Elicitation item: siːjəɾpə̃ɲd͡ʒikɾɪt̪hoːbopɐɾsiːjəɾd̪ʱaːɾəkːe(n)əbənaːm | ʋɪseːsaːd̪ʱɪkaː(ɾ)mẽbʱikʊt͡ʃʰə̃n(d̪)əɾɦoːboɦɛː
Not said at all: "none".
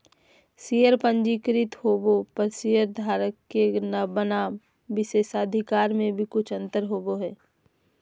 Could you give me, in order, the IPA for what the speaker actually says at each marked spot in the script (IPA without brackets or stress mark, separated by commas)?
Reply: n, ɾ, t̪